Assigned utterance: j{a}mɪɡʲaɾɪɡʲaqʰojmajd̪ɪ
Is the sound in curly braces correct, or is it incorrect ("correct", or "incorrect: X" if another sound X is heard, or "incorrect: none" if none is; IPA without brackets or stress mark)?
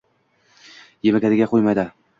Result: incorrect: e